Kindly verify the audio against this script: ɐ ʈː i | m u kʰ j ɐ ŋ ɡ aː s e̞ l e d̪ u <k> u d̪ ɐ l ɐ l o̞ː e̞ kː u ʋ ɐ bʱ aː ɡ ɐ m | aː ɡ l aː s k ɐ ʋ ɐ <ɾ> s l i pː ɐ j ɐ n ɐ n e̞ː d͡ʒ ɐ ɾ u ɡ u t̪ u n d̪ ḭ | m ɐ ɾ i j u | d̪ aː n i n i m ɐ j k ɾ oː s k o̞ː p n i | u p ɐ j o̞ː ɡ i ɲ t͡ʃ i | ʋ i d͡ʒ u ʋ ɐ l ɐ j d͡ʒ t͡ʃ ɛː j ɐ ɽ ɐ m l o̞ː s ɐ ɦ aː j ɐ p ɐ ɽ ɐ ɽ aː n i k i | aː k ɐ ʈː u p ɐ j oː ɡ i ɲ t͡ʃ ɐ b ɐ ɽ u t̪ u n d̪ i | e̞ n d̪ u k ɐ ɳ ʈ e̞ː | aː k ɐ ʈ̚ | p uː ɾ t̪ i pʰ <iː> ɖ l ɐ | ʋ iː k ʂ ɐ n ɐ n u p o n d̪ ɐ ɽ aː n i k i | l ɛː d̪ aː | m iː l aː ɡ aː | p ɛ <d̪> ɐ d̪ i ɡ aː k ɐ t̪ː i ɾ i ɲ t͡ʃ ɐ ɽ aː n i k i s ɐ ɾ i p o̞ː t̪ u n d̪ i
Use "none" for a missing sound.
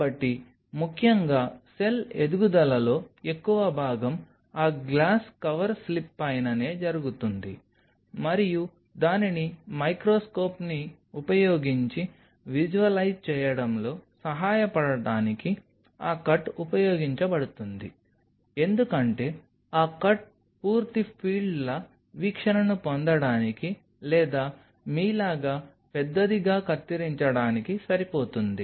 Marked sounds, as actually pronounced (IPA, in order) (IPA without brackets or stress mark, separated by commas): ɡ, ɾ, iː, d̪ː